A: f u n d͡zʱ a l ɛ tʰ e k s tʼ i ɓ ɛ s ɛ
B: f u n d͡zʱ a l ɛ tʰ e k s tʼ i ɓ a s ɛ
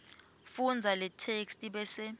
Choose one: A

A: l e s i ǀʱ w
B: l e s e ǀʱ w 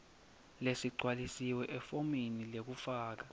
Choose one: A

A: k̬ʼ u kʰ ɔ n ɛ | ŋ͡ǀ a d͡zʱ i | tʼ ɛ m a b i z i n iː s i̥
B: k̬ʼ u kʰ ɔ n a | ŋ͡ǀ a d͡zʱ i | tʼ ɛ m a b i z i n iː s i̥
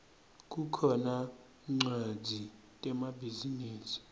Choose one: B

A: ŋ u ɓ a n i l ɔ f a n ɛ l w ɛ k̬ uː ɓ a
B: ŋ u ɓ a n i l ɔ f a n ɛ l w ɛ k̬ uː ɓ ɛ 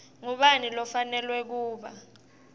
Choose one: A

